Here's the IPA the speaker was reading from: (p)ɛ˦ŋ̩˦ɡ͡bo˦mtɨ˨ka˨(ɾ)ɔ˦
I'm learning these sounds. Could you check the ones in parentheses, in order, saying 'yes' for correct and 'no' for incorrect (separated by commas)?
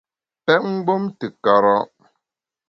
yes, yes